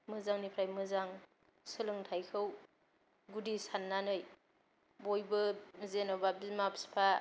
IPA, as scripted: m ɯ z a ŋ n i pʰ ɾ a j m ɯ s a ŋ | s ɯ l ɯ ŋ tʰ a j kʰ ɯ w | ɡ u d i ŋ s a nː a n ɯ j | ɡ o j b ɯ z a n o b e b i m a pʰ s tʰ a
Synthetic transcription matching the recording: m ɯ z a ŋ n i pʰ ɾ a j m ɯ z a ŋ | s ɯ l ɯ ŋ tʰ a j kʰ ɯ w | ɡ u d i s a nː a n ɯ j | b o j b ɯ z e n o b a b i m a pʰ s pʰ a